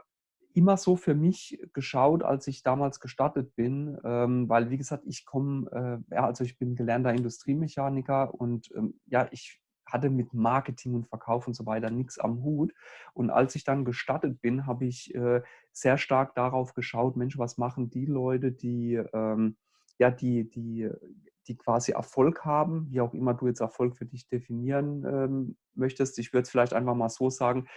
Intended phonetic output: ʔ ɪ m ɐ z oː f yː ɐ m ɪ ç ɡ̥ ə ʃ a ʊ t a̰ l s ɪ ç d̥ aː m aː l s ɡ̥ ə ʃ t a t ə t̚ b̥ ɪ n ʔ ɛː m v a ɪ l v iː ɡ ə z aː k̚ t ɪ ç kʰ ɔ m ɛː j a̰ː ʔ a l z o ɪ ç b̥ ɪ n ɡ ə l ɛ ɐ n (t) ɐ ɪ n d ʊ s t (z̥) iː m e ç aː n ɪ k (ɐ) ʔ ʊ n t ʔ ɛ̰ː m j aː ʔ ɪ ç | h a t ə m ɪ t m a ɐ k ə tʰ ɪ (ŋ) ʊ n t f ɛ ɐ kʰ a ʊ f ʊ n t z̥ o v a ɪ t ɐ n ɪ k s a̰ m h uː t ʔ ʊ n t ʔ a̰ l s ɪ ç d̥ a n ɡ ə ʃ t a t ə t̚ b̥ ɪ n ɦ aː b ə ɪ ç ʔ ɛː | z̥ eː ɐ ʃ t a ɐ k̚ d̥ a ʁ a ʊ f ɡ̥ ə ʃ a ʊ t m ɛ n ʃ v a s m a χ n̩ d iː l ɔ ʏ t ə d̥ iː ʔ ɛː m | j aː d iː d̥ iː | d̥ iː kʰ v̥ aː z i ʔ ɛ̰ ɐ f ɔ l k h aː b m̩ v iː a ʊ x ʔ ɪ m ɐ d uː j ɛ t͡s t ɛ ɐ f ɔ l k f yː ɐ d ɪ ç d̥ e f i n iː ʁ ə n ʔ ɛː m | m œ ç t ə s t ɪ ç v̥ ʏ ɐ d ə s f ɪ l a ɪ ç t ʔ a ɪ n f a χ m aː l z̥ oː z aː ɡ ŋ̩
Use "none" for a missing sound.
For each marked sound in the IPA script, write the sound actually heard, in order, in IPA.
t, ʁ̥, ɐ, ŋ

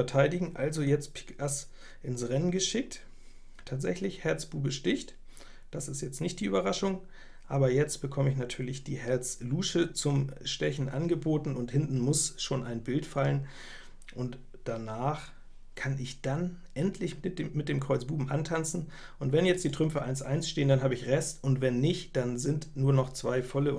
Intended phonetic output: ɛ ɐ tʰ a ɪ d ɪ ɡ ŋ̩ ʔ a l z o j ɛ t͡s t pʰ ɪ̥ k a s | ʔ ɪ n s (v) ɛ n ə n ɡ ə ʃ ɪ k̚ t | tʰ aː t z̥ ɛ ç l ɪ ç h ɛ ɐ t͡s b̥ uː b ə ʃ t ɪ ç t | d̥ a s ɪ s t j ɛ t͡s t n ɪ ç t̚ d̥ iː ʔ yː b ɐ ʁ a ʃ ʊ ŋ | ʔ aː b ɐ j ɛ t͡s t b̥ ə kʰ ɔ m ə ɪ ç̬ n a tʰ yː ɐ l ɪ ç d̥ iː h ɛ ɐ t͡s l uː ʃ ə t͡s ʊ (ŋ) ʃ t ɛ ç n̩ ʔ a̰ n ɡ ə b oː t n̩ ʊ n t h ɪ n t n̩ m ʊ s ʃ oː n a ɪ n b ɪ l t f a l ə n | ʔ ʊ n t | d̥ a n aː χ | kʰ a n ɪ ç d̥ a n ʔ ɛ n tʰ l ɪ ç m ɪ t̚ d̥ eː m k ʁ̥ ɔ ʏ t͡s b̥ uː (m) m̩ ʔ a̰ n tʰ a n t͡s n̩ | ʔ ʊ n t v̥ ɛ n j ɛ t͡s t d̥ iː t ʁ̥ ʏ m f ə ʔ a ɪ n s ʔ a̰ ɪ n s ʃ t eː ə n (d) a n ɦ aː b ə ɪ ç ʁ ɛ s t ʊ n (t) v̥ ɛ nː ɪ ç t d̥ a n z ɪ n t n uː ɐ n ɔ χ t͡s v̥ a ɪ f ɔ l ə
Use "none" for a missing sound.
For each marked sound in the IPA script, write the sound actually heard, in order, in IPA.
ʁ, m, b, d, t

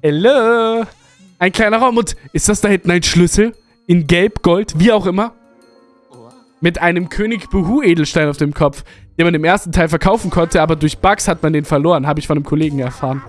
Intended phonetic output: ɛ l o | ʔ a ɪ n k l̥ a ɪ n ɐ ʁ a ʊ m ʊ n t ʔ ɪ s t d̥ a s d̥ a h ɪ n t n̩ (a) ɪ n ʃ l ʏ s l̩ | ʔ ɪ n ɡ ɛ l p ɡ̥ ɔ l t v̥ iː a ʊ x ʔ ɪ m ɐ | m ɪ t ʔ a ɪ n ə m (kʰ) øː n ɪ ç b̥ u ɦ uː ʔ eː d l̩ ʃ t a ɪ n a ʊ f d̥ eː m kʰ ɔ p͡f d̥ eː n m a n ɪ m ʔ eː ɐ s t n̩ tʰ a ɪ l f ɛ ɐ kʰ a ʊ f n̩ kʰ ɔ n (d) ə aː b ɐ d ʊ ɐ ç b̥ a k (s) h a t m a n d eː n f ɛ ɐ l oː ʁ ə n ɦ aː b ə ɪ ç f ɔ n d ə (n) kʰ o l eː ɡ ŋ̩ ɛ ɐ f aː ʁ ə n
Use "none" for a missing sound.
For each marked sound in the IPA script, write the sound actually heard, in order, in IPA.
a, kʰ, t, s, m

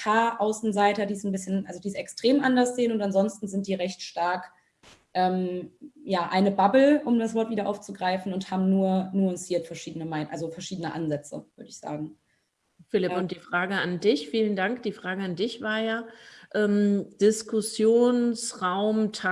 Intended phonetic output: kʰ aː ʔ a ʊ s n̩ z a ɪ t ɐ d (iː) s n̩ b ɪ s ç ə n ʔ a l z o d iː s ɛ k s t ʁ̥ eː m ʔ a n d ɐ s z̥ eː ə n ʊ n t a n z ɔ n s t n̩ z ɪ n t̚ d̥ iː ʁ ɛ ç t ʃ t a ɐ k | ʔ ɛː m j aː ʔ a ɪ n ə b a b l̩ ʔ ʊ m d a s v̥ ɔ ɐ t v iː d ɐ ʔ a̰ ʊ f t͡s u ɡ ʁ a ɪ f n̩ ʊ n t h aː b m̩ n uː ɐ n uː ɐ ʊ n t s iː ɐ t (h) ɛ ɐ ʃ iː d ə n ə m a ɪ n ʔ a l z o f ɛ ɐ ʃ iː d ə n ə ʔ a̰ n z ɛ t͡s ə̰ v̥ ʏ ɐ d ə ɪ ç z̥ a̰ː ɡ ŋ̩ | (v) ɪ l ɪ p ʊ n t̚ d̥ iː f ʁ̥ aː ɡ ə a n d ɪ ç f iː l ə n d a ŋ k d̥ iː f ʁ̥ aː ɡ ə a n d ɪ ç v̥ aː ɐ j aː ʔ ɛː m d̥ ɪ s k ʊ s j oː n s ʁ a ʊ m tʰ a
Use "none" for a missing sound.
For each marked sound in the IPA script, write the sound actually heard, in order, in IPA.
iː, f, f

